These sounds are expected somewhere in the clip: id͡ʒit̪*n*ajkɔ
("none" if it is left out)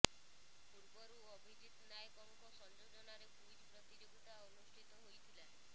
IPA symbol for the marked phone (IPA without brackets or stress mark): n